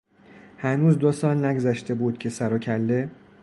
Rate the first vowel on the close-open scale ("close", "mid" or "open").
open